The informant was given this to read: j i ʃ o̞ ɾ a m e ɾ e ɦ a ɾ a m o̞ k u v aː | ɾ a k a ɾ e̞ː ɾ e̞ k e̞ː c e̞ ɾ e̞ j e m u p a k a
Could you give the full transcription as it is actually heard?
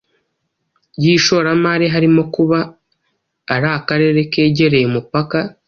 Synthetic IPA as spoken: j i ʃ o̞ ɾ a m a ɾ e ɦ a ɾ i m o̞ k u β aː | ɾ a k a ɾ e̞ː ɾ e̞ k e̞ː ɟ e̞ ɾ e̞ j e m u p a k a